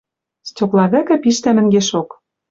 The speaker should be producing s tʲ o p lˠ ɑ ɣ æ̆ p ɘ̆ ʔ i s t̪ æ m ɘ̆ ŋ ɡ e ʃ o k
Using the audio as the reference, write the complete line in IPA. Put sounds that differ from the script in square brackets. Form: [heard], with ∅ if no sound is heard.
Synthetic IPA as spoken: s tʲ o [k] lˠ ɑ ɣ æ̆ [k] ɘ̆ [p] i [ʃ] t̪ æ m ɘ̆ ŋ ɡ e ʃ o k